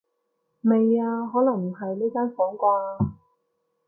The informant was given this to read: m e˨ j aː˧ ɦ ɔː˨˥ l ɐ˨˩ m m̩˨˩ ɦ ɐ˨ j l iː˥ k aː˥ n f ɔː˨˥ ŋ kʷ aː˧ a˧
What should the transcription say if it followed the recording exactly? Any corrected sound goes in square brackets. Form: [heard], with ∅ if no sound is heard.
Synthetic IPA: m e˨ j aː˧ ɦ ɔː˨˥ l ɐ˨˩ [ŋ] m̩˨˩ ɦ ɐ˨ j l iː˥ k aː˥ n f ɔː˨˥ ŋ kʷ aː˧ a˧

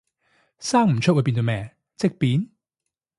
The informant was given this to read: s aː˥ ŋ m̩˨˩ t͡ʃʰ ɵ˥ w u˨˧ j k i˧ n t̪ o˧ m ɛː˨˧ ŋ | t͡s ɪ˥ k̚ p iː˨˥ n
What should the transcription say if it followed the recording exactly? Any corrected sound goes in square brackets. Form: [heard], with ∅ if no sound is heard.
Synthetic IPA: s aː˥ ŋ m̩˨˩ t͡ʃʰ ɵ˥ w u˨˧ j [p] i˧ n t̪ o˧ m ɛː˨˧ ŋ | t͡s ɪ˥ k̚ p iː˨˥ n

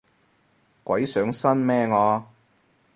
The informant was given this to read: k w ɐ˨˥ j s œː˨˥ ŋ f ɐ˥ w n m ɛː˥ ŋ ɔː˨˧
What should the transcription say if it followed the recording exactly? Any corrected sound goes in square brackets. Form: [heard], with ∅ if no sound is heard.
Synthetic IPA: k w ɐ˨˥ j s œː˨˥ ŋ [s] ɐ˥ [∅] n m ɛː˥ ŋ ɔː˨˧

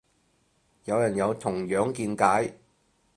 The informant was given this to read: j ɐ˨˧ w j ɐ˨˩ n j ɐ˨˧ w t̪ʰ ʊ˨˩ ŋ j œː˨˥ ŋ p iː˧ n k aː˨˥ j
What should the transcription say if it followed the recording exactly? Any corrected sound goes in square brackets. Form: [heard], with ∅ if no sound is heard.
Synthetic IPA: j ɐ˨˧ w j ɐ˨˩ n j ɐ˨˧ w t̪ʰ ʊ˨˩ ŋ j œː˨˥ ŋ [k] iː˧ n k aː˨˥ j

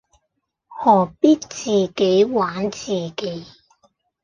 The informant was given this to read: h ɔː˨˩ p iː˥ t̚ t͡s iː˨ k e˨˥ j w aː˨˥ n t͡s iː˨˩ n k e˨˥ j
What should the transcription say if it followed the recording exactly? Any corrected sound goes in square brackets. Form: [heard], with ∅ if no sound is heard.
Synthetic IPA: h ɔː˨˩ p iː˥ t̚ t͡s iː˨ k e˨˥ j w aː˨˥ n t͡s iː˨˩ [∅] k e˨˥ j

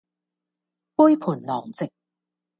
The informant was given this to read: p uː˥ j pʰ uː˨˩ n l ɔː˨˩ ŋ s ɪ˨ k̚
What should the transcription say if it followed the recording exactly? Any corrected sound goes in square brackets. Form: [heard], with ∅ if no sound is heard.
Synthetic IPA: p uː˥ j pʰ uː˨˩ n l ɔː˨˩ ŋ [t͡s] ɪ˨ k̚

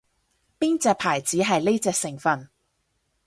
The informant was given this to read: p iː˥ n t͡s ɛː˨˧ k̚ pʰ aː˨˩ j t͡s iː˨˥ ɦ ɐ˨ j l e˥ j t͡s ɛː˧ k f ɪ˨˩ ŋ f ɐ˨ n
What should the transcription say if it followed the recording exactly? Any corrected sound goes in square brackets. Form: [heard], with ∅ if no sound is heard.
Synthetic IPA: p iː˥ n t͡s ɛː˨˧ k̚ pʰ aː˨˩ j t͡s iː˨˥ ɦ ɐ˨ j l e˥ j t͡s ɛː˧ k [s] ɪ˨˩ ŋ f ɐ˨ n

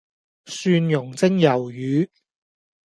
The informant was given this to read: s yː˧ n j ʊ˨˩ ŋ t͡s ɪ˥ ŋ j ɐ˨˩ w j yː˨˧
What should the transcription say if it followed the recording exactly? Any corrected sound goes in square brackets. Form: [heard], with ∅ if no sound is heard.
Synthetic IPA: s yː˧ n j ʊ˨˩ ŋ t͡s ɪ˥ ŋ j ɐ˨˩ w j yː˨˧

